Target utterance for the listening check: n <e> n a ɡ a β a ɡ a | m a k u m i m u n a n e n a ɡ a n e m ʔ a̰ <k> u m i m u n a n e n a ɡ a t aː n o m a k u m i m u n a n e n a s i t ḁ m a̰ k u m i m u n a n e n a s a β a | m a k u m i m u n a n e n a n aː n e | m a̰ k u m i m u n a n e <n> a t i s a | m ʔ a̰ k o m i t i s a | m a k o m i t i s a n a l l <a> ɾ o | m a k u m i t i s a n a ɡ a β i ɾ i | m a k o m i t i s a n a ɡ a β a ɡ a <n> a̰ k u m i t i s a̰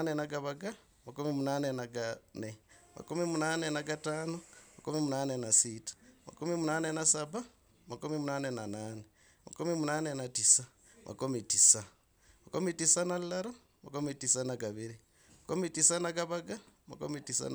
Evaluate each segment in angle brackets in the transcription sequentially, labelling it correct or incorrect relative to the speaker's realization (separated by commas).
correct, correct, correct, correct, incorrect